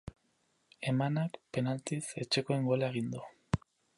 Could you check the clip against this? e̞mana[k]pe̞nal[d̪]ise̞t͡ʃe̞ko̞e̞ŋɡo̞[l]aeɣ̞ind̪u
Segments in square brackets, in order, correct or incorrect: correct, incorrect, correct

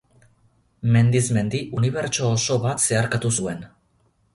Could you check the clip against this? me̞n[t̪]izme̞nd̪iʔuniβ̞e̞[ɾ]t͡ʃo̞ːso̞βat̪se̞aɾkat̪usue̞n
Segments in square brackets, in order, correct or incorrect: incorrect, correct

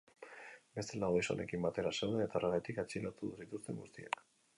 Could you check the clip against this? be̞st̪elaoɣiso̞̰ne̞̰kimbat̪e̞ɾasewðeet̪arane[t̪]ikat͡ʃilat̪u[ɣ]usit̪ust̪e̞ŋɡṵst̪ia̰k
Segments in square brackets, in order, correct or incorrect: correct, incorrect

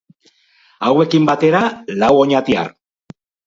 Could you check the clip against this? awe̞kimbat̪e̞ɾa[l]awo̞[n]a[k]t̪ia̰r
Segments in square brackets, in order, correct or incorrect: correct, incorrect, incorrect

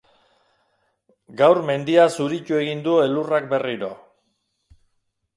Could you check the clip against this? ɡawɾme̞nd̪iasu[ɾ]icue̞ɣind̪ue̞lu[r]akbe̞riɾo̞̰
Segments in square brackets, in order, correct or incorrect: correct, correct

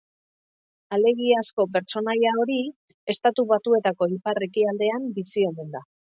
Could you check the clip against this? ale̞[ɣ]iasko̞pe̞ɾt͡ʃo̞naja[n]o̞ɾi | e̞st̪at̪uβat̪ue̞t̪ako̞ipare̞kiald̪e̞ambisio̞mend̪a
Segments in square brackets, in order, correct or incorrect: correct, incorrect

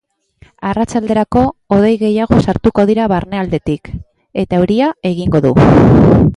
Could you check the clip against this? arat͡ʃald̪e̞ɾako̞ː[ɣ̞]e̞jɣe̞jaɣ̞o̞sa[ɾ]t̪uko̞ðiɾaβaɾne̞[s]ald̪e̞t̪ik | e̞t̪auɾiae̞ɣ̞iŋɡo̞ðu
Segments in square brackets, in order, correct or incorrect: incorrect, correct, incorrect

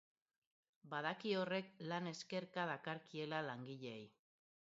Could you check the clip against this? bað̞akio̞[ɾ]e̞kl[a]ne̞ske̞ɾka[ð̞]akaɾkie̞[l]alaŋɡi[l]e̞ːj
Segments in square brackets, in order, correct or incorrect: incorrect, correct, correct, correct, incorrect

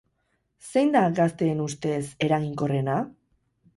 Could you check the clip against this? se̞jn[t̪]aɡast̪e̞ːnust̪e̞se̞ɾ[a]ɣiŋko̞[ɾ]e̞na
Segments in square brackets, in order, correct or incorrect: incorrect, correct, incorrect

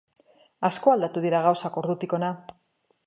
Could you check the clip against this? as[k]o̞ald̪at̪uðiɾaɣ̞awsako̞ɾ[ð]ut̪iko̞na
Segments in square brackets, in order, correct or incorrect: correct, correct

